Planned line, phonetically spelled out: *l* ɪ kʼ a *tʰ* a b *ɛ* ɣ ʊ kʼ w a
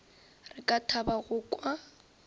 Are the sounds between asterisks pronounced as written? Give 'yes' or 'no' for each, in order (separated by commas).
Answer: no, yes, no